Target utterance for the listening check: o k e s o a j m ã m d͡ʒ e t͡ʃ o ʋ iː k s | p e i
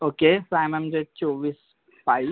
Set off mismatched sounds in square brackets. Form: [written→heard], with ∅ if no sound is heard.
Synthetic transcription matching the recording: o k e s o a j m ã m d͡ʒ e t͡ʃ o ʋ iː [k→∅] s | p [e→a] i